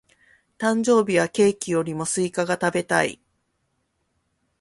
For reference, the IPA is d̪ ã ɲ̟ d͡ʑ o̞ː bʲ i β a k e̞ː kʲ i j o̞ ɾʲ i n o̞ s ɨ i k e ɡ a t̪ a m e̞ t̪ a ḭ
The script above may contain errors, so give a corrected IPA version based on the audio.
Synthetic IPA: t̪ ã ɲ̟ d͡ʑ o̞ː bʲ i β a k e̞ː kʲ i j o̞ ɾʲ i m o̞ s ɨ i k a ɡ a t̪ a b e̞ t̪ a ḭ